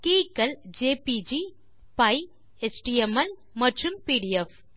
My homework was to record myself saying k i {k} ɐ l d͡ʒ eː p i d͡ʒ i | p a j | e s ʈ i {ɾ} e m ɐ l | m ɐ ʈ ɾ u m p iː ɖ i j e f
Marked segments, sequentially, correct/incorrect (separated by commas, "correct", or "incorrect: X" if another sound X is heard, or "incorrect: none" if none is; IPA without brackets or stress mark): correct, incorrect: none